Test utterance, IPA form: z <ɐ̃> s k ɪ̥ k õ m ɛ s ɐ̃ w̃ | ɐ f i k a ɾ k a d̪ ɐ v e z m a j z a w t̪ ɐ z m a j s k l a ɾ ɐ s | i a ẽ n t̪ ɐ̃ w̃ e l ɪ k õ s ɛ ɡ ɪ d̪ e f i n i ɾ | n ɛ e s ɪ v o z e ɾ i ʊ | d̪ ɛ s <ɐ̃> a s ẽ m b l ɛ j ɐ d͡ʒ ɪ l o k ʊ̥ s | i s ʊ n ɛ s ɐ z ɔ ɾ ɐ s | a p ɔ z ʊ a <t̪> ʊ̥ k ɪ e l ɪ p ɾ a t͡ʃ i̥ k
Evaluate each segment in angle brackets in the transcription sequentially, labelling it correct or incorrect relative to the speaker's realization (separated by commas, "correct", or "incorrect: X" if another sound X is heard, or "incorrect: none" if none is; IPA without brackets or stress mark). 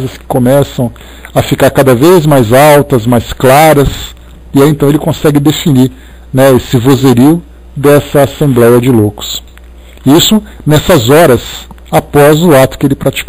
incorrect: ɐ, incorrect: ɐ, correct